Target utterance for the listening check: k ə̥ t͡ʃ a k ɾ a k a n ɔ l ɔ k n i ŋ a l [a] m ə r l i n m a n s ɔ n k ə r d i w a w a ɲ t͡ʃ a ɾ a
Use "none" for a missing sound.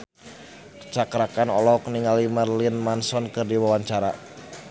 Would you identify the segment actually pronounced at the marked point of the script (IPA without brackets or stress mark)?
i